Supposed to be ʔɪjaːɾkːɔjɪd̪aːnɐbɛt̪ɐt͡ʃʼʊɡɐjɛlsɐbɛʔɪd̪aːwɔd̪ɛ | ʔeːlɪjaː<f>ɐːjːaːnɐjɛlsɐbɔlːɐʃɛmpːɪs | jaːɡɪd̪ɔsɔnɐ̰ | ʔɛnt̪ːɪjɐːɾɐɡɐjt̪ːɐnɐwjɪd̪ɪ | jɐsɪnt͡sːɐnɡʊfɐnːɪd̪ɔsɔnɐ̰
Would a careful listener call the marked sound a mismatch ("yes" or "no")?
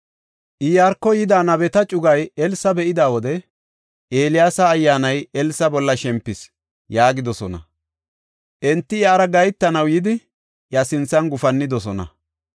yes